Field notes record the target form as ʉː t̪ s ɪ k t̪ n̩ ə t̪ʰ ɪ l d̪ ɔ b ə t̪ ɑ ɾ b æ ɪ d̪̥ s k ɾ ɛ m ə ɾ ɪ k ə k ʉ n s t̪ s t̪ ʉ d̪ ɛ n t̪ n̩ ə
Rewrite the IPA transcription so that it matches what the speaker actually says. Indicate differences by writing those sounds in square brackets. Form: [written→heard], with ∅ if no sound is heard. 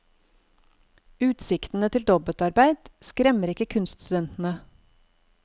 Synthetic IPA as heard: ʉː t̪ s ɪ k t̪ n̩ ə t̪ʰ ɪ l d̪ ɔ b ə t̪ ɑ ɾ b æ ɪ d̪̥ s k ɾ ɛ m ə ɾ ɪ k ə [k→kʰ] ʉ n s t̪ s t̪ ʉ d̪ ɛ n t̪ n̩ ə